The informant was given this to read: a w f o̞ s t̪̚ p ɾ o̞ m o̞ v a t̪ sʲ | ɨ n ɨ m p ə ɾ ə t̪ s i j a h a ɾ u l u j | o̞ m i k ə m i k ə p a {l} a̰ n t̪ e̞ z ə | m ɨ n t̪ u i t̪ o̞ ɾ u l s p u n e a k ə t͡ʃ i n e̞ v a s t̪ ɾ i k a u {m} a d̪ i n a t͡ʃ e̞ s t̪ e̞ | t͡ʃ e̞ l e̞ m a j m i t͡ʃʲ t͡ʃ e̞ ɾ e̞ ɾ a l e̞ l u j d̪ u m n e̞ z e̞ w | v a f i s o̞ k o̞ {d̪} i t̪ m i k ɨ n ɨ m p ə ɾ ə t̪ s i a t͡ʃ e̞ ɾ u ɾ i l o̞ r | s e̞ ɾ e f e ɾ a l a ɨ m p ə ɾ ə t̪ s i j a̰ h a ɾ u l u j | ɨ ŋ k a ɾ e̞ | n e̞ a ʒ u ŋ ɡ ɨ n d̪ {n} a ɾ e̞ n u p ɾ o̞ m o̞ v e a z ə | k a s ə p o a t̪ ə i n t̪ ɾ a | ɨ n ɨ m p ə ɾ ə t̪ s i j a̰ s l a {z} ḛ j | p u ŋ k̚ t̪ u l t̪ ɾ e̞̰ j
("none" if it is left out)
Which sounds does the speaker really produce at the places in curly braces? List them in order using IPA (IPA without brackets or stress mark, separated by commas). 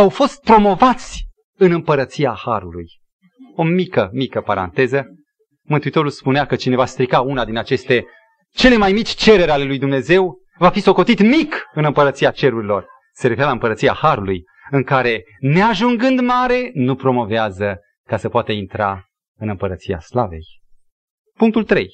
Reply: ɾ, n, t̪, m, v